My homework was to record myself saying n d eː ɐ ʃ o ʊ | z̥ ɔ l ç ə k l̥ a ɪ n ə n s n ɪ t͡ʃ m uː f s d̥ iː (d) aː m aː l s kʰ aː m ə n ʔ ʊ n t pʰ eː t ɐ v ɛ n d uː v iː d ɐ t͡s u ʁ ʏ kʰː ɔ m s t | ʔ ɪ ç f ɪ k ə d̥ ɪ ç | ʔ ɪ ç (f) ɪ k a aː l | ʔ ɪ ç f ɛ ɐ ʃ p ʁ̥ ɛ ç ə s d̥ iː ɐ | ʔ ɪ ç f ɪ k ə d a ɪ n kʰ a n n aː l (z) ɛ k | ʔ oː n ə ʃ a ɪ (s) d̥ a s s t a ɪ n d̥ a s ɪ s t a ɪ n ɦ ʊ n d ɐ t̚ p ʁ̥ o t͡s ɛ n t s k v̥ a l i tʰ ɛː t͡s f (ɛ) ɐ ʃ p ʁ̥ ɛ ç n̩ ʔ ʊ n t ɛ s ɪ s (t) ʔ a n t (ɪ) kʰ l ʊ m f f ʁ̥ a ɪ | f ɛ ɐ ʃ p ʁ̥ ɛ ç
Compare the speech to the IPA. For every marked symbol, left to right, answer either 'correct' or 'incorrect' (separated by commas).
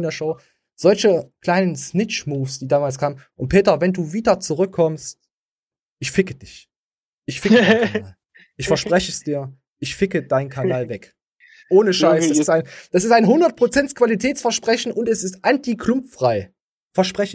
correct, correct, incorrect, correct, correct, correct, incorrect